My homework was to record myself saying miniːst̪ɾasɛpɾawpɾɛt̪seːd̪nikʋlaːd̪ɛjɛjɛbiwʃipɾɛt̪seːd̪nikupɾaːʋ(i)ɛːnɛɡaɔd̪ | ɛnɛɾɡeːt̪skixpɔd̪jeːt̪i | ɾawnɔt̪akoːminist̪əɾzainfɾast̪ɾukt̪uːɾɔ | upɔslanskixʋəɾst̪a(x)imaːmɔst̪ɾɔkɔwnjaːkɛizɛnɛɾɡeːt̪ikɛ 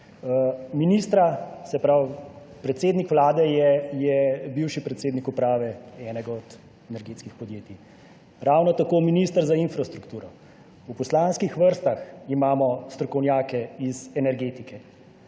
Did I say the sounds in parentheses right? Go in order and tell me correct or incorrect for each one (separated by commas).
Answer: incorrect, correct